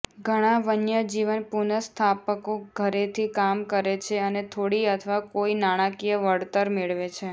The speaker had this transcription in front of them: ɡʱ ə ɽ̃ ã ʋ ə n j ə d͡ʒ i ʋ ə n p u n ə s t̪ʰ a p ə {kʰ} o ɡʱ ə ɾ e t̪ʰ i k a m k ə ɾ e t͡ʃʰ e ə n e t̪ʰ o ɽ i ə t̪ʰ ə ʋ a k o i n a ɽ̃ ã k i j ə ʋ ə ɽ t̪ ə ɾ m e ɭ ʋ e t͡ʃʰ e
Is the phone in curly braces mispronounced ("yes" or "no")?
yes